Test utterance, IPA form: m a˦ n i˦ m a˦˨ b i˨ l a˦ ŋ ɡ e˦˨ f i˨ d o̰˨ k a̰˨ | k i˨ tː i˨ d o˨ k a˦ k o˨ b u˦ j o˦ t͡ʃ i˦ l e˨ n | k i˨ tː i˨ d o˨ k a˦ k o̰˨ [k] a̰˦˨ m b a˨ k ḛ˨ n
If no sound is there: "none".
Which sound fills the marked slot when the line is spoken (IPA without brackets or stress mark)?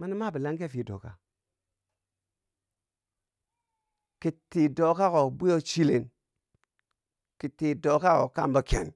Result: k